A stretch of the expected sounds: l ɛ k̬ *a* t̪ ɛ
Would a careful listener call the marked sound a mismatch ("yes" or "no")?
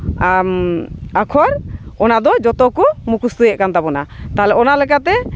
no